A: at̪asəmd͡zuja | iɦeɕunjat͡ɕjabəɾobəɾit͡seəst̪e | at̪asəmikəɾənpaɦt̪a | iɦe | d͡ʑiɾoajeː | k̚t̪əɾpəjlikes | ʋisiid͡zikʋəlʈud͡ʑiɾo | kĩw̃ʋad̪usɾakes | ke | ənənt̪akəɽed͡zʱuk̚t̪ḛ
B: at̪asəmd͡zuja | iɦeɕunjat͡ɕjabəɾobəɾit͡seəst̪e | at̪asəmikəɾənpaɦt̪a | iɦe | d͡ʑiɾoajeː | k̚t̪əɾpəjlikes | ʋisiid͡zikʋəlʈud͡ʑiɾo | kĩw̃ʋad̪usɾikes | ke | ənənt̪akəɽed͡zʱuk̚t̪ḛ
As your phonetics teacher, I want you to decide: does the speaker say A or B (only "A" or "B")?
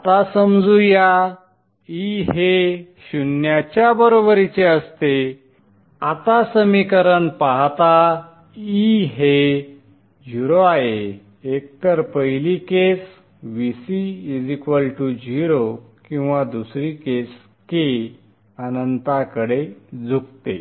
B